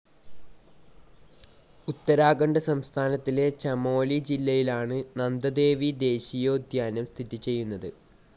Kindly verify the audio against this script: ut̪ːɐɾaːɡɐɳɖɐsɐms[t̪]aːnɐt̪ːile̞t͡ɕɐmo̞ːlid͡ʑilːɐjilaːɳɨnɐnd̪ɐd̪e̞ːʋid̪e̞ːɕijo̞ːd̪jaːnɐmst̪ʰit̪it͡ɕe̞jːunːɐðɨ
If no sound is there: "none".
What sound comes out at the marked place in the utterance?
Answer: t̪ʰ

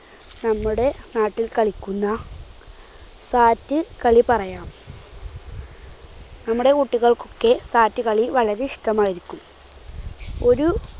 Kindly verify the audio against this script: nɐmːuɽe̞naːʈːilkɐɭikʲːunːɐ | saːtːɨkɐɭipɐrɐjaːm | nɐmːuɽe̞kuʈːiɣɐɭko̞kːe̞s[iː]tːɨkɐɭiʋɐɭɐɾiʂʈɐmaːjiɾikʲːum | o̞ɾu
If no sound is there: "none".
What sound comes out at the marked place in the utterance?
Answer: aː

